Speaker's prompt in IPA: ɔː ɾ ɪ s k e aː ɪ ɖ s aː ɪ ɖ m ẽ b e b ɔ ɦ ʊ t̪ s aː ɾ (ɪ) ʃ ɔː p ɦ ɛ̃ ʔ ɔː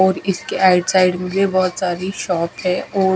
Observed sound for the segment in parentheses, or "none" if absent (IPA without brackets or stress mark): i